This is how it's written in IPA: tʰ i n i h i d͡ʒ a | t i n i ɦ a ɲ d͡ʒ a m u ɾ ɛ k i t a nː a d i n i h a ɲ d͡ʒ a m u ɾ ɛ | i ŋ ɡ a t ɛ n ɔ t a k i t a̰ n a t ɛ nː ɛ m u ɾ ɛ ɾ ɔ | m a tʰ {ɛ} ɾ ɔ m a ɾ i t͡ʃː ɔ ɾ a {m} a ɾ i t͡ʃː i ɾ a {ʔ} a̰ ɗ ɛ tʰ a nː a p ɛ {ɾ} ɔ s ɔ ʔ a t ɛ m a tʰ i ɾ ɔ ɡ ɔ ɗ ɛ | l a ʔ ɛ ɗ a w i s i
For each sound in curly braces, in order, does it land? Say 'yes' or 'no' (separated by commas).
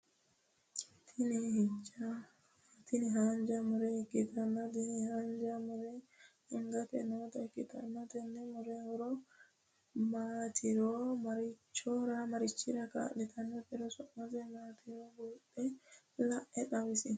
no, yes, no, yes